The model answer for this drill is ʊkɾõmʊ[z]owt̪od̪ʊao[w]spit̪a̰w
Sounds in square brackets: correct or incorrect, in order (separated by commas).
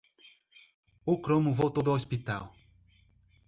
incorrect, incorrect